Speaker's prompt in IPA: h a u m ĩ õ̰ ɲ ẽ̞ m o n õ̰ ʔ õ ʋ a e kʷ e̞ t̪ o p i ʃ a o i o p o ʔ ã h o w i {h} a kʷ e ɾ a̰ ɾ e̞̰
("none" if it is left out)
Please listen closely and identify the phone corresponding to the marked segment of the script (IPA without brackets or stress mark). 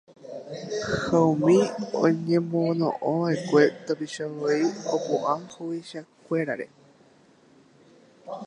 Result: ʃ